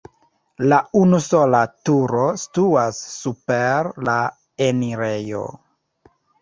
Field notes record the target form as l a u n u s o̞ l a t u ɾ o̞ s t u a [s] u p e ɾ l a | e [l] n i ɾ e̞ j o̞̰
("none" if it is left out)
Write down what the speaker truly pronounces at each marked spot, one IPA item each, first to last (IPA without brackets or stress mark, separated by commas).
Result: sː, none